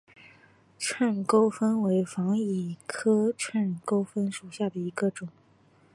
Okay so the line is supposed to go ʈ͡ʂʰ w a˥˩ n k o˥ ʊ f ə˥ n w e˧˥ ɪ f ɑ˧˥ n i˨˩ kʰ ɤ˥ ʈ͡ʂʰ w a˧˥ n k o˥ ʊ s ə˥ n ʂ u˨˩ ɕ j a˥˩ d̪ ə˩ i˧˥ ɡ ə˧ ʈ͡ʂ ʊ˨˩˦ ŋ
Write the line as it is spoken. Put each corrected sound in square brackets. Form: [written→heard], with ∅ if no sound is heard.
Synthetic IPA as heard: ʈ͡ʂʰ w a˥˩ n k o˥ ʊ f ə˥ n w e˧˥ ɪ f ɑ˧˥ [n→ŋ] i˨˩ kʰ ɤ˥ ʈ͡ʂʰ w [a˧˥→a˥˩] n k o˥ ʊ [s→f] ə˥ n ʂ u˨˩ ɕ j a˥˩ d̪ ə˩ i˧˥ ɡ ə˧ ʈ͡ʂ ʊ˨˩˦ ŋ